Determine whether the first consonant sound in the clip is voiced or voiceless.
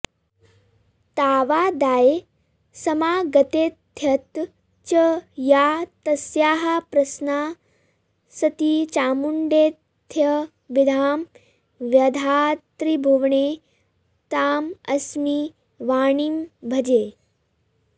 voiceless